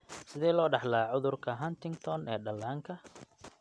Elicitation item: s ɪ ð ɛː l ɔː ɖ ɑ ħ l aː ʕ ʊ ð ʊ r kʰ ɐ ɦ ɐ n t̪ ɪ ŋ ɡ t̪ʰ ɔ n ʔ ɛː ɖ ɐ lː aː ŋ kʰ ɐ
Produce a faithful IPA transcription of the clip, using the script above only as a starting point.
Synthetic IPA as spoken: s ɪ ð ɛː l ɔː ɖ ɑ ħ l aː ʕ ʊ ð ʊ r kʰ ɐ ɦ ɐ n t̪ ɪ ŋ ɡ t̪ʰ ɔ n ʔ ɛː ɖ ɐ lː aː ŋ kʰ ɐ